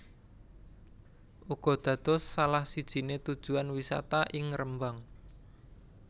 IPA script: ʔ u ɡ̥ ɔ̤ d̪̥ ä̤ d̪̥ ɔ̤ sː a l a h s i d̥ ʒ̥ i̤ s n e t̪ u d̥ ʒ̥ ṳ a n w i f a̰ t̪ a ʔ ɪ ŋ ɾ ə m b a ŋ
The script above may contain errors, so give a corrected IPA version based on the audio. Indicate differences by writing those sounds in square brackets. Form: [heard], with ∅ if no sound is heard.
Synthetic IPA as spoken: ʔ u ɡ̥ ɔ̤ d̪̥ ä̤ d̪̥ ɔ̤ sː a l a h s i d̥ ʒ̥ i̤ [∅] n e t̪ u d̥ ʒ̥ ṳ a n w i [s] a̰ t̪ a ʔ ɪ ŋ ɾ ə m b a ŋ